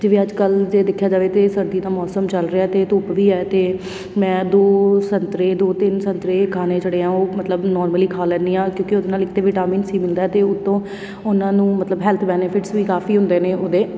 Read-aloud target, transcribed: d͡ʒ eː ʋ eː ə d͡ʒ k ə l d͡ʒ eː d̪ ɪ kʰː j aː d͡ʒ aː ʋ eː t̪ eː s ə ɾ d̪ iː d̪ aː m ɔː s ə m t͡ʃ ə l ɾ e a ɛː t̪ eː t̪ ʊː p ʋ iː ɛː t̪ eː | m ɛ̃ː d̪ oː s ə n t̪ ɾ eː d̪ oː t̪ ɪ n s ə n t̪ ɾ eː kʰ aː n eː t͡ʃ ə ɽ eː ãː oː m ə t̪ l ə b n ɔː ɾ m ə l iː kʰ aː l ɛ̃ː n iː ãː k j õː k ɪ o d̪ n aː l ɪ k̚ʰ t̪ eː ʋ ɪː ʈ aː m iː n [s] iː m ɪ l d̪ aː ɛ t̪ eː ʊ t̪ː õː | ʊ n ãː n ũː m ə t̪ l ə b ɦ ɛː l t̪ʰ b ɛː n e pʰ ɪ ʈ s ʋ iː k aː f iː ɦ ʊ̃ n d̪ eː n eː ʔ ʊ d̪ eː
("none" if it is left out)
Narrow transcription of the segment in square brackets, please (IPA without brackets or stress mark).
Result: s